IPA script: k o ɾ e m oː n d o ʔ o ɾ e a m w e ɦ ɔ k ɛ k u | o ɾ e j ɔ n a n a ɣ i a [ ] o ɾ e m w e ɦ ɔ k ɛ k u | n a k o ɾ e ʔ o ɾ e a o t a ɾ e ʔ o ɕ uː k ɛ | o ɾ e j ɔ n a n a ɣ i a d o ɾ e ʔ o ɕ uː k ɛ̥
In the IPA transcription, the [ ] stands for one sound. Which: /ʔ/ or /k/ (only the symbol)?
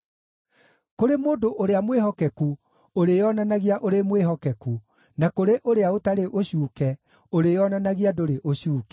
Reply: ʔ